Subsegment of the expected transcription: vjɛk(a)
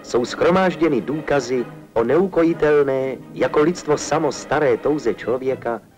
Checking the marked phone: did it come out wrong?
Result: no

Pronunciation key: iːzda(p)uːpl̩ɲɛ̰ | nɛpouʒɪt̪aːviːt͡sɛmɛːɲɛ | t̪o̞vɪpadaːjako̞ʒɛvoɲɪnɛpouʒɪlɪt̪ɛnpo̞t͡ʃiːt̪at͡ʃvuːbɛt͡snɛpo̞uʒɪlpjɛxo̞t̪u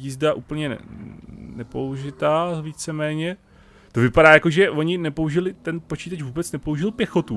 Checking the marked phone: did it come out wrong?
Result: yes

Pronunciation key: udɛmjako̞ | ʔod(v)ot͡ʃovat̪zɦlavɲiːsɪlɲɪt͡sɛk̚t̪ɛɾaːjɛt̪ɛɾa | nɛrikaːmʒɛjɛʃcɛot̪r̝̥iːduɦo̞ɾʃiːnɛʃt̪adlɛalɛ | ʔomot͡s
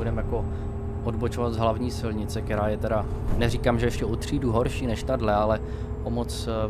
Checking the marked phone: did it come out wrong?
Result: yes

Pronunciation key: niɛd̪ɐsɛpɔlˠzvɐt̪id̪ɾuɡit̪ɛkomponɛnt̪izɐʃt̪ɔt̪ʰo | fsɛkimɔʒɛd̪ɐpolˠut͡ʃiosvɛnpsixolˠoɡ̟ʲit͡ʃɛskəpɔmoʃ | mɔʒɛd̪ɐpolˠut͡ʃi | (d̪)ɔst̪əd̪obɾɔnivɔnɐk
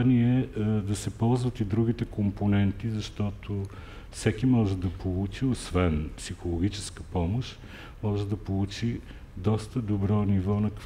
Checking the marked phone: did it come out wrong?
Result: no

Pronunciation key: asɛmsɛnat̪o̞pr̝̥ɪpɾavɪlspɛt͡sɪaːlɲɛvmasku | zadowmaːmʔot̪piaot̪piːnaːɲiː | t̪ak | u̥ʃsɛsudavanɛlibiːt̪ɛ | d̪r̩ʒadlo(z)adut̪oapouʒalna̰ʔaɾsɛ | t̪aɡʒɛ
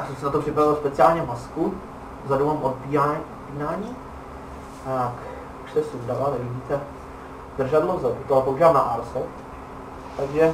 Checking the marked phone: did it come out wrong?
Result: no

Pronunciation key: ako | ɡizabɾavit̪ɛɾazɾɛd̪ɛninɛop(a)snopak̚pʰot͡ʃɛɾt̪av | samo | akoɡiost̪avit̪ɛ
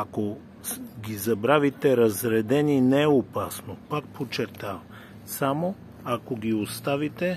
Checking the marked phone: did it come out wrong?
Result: no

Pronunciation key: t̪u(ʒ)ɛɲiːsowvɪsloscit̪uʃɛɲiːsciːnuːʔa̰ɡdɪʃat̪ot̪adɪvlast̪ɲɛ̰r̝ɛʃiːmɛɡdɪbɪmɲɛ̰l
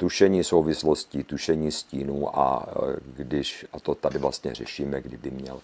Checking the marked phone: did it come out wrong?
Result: yes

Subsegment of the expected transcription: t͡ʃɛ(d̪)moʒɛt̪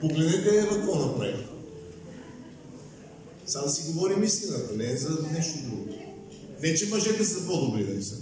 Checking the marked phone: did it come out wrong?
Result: yes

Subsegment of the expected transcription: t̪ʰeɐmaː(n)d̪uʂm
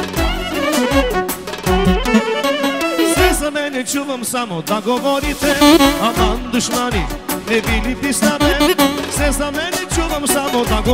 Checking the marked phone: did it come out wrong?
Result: no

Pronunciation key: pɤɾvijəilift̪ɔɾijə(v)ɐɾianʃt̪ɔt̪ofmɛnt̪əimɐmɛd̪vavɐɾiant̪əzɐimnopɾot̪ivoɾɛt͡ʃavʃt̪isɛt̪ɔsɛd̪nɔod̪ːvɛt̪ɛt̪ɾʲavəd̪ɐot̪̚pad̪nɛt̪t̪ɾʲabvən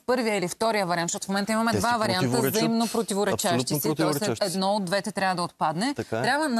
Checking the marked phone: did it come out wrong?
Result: no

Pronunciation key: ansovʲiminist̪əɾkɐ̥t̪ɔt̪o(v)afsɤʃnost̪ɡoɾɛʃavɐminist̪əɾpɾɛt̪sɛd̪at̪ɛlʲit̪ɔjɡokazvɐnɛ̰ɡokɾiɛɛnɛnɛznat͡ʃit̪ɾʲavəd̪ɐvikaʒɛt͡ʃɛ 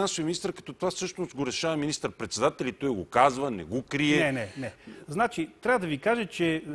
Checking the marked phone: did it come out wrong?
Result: no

